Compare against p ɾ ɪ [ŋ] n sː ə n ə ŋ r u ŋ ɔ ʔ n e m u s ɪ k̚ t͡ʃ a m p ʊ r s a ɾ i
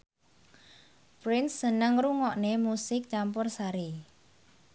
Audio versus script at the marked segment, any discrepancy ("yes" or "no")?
yes